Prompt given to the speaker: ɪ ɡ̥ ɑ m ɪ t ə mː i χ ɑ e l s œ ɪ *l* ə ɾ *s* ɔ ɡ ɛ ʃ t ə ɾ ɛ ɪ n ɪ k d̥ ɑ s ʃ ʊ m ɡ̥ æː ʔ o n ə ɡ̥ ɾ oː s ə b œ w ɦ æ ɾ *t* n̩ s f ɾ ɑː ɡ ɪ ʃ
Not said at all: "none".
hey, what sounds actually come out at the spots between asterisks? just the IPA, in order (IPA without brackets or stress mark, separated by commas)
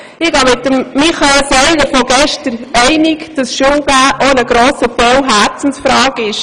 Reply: l, f, t͡s